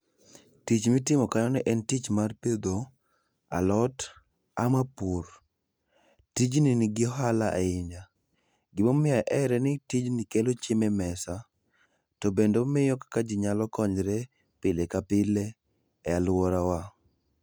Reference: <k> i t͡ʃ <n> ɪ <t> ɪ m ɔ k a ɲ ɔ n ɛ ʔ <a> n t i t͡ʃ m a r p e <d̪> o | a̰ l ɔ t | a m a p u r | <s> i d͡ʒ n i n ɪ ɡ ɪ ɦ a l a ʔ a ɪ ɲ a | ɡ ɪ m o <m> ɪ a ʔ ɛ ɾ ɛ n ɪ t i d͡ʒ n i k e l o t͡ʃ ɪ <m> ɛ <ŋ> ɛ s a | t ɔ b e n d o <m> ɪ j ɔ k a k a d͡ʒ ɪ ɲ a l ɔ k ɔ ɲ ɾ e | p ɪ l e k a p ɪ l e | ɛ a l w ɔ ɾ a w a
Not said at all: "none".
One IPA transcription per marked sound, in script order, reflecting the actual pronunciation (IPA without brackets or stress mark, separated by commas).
t, m, t, ɛ, d̪, t, m, m, m, m